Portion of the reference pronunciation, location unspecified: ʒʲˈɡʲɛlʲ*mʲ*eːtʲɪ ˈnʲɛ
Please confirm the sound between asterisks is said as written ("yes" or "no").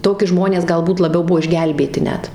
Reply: no